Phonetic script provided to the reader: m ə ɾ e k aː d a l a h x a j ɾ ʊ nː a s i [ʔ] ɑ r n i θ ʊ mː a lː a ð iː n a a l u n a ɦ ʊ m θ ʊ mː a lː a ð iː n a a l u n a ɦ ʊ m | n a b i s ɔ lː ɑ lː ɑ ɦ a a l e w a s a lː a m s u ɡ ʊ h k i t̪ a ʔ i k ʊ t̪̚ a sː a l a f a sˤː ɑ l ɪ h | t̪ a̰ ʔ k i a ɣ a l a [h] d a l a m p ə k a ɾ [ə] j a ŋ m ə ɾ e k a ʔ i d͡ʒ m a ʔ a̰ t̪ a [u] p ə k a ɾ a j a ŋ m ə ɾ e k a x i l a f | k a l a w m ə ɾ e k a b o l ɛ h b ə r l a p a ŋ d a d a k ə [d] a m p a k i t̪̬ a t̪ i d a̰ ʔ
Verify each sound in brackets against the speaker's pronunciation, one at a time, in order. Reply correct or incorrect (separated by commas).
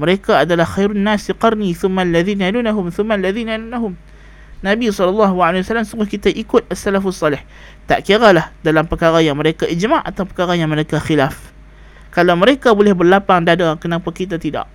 incorrect, correct, incorrect, incorrect, incorrect